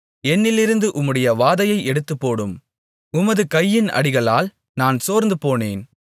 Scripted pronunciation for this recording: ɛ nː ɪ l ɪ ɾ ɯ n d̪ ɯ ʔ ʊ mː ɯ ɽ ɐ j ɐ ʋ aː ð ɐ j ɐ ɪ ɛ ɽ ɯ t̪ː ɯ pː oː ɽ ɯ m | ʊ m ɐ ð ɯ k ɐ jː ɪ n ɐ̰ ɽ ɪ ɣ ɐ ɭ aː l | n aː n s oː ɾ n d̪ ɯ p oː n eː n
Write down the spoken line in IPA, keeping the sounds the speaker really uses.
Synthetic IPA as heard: ɛ nː ɪ l ɪ ɾ ɯ n d̪ ɯ ʔ ʊ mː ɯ ɽ ɐ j ɐ ʋ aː ð ɐ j ɐ ɪ ɛ ɽ ɯ t̪ː ɯ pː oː ɽ ɯ m | ʊ m ɐ ð ɯ k ɐ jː ɪ n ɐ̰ ɽ ɪ ɣ ɐ ɭ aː l | n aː n s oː ɾ n d̪ ɯ p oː n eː n